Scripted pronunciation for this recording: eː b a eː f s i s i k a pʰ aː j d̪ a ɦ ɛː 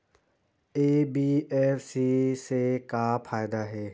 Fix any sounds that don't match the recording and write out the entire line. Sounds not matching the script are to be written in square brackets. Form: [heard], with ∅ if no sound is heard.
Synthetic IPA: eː b [i] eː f s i s [e] k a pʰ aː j d̪ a ɦ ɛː